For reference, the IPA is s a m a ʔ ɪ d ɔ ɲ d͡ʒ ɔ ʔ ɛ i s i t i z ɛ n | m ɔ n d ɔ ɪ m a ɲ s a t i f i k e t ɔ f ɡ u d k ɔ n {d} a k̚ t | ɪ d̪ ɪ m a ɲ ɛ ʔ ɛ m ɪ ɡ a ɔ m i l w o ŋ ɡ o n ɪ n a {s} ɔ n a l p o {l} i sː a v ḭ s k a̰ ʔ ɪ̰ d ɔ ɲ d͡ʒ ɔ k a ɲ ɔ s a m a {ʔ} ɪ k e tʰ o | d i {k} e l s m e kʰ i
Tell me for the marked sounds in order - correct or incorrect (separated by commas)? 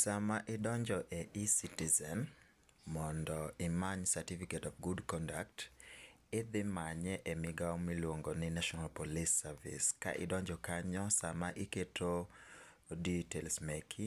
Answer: correct, incorrect, correct, correct, incorrect